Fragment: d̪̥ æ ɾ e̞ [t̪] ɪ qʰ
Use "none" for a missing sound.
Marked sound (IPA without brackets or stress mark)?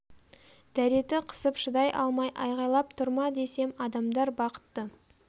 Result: t̪